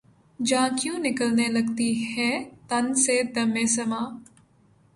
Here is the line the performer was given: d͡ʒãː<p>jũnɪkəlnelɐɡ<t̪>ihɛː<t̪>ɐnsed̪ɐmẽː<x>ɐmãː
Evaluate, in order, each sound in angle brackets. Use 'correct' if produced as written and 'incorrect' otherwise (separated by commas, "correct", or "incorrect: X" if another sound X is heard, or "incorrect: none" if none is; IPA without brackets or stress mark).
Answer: incorrect: k, correct, correct, incorrect: s